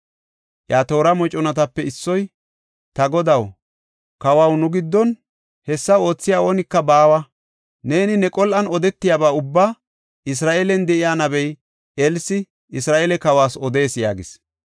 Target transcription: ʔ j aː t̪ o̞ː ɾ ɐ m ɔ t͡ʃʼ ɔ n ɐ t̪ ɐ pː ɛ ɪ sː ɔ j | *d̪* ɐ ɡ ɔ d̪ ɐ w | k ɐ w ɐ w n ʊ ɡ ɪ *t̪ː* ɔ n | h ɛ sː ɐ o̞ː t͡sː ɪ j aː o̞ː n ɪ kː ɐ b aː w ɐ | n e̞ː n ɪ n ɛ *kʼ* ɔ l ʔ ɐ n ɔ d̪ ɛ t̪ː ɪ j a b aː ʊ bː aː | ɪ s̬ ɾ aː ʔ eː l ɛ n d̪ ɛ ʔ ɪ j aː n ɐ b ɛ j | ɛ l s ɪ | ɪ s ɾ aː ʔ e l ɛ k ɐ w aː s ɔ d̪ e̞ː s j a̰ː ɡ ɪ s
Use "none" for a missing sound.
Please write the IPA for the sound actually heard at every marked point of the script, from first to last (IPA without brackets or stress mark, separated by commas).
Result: t̪, d̪ː, kʼ